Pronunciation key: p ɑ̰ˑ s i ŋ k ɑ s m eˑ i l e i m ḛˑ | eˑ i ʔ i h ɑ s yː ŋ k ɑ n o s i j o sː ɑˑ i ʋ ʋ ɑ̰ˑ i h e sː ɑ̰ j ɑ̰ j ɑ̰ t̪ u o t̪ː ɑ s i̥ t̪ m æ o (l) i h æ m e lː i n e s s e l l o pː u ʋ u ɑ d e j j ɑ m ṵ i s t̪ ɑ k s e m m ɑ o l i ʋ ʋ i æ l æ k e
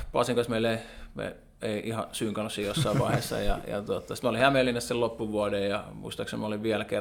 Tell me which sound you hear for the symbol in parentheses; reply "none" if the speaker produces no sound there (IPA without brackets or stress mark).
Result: l